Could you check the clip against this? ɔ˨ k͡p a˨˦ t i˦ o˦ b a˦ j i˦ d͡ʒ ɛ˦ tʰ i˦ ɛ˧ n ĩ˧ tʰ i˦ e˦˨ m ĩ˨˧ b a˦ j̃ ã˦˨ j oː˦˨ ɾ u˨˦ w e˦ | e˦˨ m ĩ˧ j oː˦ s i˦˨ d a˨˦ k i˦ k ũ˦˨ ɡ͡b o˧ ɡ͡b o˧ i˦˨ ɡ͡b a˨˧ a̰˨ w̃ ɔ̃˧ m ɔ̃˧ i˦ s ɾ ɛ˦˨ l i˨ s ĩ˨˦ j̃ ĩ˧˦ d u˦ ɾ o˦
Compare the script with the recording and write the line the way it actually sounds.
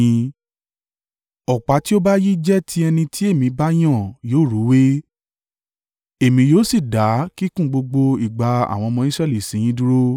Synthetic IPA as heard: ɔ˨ k͡p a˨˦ t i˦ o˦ b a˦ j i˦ d͡ʒ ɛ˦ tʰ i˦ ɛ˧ n ĩ˧ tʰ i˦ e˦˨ m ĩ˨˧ b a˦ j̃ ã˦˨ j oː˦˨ ɾ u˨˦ w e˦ | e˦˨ m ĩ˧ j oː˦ s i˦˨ d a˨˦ k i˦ k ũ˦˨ ɡ͡b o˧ ɡ͡b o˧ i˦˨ ɡ͡b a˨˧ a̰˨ w̃ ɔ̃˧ m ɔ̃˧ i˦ s ɾ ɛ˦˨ l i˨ s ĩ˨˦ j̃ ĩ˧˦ d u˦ ɾ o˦